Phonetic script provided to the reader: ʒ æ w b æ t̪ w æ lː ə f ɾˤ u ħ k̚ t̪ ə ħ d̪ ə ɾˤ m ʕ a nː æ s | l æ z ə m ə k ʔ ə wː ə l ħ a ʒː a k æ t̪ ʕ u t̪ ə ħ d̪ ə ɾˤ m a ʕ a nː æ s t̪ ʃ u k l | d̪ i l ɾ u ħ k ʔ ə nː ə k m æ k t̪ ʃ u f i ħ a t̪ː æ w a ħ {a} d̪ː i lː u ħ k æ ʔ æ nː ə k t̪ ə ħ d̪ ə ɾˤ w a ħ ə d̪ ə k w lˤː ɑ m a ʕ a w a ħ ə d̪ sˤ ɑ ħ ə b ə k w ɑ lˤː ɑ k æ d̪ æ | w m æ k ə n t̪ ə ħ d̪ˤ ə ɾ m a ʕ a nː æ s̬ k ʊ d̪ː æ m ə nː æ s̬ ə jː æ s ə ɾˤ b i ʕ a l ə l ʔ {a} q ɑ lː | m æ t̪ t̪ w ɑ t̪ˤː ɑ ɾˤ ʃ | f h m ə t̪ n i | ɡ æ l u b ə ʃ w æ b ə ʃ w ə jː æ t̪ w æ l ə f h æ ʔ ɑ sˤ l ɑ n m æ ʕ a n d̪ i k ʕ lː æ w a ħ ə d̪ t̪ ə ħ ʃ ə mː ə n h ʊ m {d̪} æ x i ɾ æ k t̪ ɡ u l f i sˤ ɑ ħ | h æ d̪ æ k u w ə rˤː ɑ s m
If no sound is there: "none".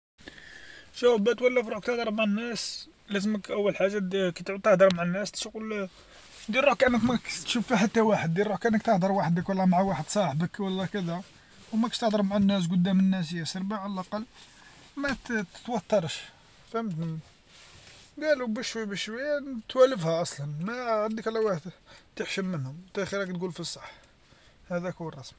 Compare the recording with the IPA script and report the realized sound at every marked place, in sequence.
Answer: ə, ɑ, t̪

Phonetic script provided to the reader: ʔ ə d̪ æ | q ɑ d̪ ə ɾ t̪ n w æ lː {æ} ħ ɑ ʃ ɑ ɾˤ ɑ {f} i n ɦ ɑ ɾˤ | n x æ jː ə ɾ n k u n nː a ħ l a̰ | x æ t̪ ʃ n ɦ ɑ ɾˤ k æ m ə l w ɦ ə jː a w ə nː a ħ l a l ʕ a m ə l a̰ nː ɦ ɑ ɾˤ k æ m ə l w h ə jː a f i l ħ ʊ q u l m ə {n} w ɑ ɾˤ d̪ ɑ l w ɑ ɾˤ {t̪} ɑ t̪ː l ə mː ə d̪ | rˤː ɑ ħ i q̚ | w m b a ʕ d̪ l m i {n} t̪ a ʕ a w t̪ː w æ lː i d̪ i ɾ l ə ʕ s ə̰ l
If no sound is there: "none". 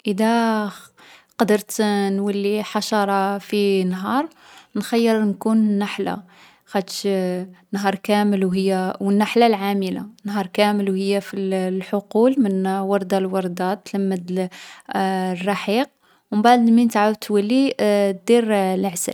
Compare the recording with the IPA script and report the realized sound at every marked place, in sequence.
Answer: i, f, n, d̪, n

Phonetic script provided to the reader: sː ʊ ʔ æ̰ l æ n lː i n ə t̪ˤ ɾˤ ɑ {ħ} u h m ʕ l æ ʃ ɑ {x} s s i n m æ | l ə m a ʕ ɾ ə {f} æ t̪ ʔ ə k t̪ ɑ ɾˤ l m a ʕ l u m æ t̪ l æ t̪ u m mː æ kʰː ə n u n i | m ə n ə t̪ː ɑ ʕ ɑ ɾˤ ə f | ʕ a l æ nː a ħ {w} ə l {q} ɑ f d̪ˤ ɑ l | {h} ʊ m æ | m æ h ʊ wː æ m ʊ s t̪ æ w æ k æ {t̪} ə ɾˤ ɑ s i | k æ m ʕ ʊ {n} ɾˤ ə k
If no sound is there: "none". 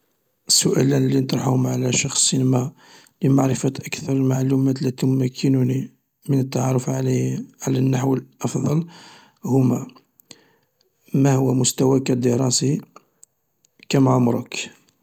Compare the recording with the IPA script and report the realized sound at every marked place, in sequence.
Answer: ħ, x, f, w, ʔ, h, d̪, m

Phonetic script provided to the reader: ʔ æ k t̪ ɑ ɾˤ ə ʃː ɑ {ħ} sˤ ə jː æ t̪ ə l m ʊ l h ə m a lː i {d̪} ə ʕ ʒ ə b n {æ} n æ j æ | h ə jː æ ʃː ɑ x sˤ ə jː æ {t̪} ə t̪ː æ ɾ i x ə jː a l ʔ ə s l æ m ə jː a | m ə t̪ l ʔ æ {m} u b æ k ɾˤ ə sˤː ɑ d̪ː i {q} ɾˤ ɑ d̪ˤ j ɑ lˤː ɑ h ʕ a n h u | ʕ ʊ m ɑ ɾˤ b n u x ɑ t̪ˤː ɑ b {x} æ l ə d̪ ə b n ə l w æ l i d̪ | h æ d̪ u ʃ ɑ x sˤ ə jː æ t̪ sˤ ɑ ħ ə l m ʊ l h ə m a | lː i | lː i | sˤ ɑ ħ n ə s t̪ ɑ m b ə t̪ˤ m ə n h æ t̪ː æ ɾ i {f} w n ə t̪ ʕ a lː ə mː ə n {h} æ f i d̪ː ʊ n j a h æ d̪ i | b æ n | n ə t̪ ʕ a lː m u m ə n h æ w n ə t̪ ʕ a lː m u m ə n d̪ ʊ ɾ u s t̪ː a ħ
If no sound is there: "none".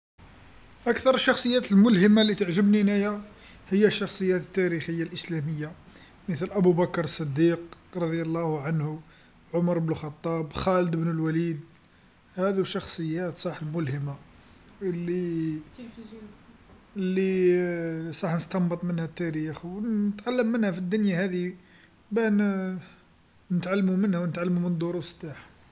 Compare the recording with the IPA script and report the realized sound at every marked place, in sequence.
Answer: x, t̪, i, t̪, b, q, x, x, h

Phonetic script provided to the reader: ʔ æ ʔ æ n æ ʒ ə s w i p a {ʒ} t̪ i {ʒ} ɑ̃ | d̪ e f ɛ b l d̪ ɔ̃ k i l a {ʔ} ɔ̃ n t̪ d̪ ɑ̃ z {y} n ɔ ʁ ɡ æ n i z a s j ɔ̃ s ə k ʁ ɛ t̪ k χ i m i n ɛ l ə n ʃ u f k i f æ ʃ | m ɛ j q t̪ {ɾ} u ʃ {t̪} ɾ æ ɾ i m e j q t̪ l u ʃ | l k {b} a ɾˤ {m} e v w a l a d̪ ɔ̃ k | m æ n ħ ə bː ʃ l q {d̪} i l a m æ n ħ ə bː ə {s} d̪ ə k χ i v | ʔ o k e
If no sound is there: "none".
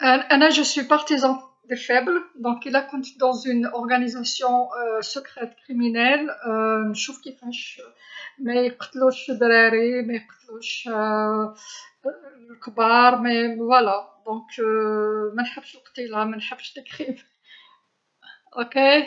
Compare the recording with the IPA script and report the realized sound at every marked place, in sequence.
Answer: ʁ, z, k, y, l, d̪, b, m, t̪, ʃ

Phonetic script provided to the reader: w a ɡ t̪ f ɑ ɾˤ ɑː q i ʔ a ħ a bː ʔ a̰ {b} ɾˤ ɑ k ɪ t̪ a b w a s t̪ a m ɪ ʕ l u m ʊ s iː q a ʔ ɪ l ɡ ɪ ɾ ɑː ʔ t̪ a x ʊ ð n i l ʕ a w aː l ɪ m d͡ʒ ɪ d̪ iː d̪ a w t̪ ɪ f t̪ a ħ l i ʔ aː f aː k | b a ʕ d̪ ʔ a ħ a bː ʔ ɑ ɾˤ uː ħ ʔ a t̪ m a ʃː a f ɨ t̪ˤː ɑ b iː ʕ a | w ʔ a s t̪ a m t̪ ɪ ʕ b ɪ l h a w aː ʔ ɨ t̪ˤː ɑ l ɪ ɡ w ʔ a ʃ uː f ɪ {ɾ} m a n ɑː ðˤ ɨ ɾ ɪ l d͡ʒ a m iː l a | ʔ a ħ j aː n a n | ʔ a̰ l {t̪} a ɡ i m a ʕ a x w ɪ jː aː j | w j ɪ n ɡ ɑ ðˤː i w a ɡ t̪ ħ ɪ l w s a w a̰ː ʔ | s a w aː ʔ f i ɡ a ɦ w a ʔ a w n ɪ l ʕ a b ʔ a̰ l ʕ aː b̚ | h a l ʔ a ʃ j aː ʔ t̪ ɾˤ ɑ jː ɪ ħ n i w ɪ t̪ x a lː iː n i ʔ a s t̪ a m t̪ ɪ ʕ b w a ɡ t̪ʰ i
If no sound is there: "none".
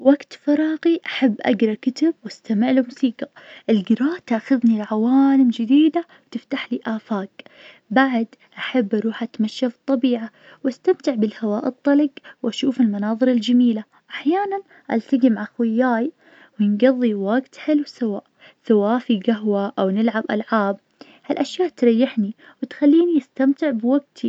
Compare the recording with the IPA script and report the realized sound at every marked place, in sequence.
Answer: ɡ, l, t̪

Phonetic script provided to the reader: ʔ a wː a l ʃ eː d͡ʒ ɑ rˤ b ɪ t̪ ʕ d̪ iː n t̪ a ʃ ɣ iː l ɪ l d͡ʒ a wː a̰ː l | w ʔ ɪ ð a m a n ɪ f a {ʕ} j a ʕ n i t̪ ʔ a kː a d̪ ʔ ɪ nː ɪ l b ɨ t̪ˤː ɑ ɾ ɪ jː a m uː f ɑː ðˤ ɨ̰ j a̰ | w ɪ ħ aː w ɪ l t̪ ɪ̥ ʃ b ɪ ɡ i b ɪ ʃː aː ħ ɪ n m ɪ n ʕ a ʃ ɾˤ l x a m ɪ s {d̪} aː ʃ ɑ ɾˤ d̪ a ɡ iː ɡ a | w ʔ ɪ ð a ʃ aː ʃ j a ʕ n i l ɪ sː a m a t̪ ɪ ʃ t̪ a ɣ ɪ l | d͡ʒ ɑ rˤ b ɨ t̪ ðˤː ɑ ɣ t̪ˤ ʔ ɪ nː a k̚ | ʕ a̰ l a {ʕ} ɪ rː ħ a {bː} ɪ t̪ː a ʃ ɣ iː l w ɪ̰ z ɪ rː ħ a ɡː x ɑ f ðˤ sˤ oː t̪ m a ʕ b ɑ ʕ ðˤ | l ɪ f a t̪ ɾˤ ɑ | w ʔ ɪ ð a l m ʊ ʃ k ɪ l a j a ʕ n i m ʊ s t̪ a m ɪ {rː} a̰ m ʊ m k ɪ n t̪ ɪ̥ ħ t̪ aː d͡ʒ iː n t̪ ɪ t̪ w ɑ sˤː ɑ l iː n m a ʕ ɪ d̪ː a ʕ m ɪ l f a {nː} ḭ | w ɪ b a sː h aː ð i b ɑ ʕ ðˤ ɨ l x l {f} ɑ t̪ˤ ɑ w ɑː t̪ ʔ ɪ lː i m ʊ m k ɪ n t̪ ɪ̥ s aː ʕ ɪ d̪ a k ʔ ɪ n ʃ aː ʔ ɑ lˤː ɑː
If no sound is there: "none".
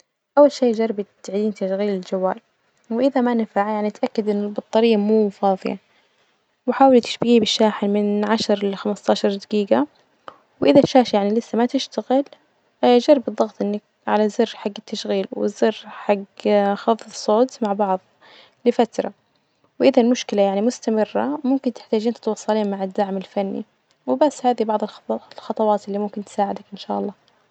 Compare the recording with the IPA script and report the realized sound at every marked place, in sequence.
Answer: ʕ, t̪, z, ɡː, rː, nː, x

